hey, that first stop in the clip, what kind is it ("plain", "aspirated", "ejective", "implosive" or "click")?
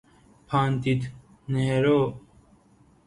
aspirated